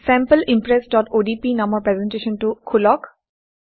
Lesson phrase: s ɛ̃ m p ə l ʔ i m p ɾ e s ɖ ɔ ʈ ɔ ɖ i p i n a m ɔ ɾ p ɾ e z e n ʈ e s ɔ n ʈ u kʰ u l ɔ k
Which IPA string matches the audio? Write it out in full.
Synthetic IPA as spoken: s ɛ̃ m p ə l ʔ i m p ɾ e s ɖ ɔ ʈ o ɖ i p i n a m ɔ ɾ p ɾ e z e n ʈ e ʃ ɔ n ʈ u kʰ u l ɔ k